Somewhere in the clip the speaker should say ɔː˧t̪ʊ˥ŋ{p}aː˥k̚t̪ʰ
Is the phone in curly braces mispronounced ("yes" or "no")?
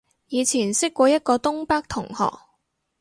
no